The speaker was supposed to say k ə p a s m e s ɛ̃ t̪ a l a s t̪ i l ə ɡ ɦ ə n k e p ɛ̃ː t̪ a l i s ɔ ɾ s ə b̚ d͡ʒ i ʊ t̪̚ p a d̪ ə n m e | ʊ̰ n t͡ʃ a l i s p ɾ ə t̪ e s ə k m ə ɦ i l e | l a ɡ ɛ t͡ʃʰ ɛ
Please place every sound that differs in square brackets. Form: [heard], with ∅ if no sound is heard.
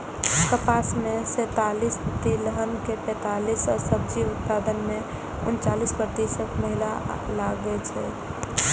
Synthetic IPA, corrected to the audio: k ə p a s m e s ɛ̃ t̪ a l [i] s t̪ i l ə [∅] ɦ ə n k e p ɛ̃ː t̪ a l i s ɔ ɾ s ə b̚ d͡ʒ i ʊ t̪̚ p a d̪ ə n m e | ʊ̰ n t͡ʃ a l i s p ɾ ə t̪ [i] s ə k m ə ɦ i l [a] | l a ɡ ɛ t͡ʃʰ ɛ